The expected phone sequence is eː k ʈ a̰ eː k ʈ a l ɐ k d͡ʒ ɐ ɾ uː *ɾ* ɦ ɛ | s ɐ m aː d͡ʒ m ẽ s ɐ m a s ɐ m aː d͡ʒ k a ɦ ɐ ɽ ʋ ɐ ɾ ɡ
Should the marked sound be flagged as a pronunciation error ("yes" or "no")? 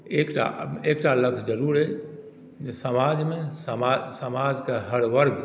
no